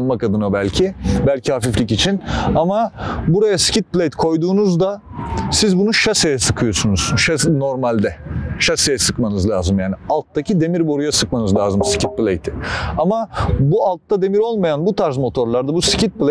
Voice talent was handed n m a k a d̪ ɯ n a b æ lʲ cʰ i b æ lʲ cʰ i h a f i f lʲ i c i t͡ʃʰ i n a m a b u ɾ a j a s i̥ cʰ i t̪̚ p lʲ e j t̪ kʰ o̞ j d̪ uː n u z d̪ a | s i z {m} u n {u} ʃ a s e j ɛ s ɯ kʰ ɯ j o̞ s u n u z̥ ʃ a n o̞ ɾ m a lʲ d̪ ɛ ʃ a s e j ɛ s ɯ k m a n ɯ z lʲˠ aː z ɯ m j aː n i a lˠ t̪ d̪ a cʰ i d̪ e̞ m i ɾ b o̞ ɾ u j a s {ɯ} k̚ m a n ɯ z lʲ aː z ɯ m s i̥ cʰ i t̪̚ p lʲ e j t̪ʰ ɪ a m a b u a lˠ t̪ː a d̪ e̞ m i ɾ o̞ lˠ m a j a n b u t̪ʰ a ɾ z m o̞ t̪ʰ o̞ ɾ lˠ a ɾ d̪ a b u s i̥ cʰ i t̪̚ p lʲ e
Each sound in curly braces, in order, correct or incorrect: incorrect, correct, correct

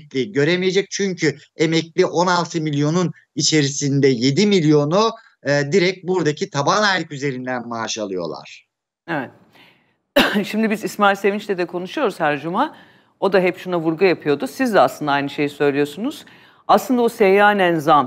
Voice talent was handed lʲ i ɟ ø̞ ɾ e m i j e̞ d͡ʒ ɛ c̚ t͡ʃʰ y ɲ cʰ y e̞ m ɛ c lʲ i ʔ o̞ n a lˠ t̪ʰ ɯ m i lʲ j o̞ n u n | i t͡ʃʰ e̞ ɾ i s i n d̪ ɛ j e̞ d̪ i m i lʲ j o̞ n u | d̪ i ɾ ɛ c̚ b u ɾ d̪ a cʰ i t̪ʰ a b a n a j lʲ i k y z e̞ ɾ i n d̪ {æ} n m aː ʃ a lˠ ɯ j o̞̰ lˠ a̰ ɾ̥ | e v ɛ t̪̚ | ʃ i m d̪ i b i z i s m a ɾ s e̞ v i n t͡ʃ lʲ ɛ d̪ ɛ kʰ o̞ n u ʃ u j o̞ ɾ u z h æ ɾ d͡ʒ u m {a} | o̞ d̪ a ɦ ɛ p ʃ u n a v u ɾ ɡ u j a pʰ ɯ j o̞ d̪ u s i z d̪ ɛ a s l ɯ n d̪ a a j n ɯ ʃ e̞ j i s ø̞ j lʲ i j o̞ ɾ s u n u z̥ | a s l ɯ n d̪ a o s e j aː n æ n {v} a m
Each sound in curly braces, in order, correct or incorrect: correct, correct, incorrect

